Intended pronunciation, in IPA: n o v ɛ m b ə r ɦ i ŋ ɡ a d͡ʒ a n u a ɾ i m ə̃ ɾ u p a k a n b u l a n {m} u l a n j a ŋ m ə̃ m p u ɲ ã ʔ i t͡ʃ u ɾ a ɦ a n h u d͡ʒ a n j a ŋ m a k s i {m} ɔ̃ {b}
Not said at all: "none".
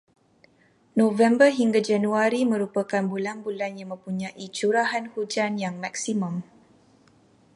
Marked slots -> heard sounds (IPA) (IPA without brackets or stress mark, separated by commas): b, m, m